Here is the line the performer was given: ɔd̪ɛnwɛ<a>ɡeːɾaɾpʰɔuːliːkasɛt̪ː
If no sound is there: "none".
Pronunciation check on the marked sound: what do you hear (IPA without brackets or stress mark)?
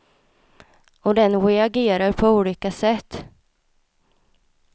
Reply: a